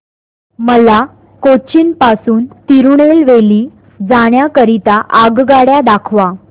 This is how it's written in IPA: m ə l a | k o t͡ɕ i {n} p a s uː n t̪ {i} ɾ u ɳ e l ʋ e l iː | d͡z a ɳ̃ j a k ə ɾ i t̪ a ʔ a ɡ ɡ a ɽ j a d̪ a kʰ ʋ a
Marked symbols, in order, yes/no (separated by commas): yes, yes